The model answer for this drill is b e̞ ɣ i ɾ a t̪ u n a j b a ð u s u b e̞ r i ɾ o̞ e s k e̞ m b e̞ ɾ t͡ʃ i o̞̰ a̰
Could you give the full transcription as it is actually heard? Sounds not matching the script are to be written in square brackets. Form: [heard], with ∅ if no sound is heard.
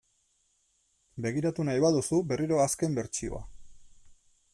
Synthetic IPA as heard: b e̞ ɣ i ɾ a t̪ u n a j [β] a ð u s u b e̞ r i ɾ o̞ [a] s k e̞ m b e̞ ɾ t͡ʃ i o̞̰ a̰